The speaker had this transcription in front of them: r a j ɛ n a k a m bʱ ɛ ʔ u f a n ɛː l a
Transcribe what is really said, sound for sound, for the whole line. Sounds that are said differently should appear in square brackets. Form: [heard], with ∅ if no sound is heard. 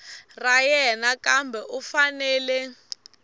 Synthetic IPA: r a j ɛ n a k a m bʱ ɛ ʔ u f a n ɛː l [ɛ]